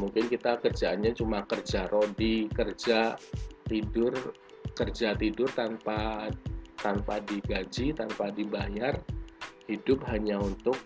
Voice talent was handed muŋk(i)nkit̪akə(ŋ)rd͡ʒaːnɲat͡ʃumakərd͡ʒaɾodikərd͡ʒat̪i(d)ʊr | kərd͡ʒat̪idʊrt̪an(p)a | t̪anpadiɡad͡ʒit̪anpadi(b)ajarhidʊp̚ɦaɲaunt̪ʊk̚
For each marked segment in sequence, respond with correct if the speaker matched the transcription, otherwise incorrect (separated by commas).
incorrect, incorrect, correct, correct, correct